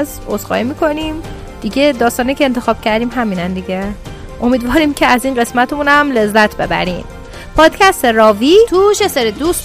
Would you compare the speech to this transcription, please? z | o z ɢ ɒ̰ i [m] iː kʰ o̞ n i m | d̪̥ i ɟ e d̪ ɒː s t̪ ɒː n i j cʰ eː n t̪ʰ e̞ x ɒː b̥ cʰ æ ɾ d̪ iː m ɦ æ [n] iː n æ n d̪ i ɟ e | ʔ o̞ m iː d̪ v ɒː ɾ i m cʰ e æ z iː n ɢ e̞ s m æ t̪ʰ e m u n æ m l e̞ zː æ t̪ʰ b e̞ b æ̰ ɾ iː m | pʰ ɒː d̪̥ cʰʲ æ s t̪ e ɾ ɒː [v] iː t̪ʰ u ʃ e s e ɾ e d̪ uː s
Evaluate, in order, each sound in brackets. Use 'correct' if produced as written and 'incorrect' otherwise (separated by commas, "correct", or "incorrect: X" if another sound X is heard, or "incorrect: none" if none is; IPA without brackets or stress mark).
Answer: correct, incorrect: m, correct